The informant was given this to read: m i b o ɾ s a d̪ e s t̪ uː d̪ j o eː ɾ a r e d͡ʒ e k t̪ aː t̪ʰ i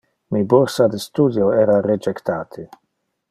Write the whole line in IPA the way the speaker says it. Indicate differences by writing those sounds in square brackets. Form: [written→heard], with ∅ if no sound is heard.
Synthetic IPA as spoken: m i b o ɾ s a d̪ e s t̪ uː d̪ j o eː ɾ a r e d͡ʒ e k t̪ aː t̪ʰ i